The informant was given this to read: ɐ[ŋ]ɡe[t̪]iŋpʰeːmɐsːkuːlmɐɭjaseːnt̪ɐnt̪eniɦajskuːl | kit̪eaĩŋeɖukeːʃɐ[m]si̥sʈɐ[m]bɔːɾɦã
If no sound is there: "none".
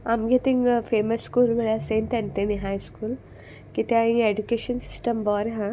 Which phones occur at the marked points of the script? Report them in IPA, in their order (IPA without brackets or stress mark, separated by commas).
m, t̪, n, m